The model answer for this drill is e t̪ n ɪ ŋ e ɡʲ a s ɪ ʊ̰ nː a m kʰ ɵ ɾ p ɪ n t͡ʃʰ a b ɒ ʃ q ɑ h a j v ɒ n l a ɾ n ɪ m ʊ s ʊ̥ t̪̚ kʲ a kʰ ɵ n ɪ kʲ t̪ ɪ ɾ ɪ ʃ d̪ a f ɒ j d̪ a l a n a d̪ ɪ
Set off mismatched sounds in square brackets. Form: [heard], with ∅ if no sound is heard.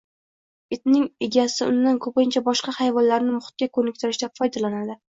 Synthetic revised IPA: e t̪ n ɪ ŋ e ɡʲ a s ɪ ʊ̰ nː a [n] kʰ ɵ [∅] p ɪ n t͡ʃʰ a b ɒ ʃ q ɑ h a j v ɒ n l a ɾ n ɪ m ʊ [χ] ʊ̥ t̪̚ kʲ a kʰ ɵ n ɪ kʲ t̪ ɪ ɾ ɪ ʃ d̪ a f ɒ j d̪ a l a n a d̪ ɪ